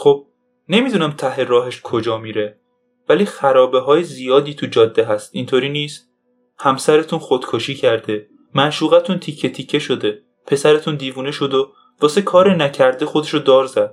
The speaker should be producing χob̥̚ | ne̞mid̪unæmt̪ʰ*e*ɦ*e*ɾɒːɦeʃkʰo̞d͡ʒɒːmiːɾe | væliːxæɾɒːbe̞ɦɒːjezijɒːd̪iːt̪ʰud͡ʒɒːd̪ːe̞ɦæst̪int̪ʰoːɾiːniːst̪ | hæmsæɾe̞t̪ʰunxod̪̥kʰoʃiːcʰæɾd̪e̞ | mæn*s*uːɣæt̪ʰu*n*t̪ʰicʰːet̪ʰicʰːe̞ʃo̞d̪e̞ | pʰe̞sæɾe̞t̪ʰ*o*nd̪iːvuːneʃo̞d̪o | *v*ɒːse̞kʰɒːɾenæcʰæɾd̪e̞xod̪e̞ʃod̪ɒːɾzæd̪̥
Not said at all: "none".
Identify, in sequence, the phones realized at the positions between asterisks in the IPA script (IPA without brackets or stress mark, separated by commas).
æ, e, ʃ, n, u, v